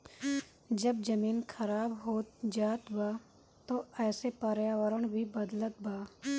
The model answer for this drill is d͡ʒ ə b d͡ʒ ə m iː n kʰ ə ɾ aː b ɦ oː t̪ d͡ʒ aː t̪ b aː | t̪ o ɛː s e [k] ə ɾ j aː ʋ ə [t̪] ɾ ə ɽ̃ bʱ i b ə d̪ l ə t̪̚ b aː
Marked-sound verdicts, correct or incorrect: incorrect: p, incorrect: none

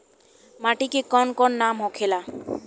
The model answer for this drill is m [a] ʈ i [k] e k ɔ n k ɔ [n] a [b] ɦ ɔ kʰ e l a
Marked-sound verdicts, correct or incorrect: correct, correct, incorrect: nː, incorrect: m

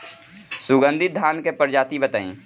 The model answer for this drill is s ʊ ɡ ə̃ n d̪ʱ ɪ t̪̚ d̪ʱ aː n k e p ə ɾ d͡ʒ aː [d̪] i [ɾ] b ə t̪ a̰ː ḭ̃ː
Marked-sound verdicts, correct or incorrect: incorrect: t̪, incorrect: none

